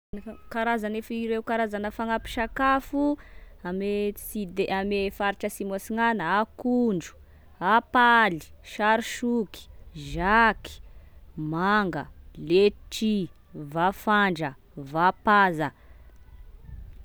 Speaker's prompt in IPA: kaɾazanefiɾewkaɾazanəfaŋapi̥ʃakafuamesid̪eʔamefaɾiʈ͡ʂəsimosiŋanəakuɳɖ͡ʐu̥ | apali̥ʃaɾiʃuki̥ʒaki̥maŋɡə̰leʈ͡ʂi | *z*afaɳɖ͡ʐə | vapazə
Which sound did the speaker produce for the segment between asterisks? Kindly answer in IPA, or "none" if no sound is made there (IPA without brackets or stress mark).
v